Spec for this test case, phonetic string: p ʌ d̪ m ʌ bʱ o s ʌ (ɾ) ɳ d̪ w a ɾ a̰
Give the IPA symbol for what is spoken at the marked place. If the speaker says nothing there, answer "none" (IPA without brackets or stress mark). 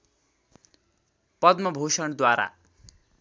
none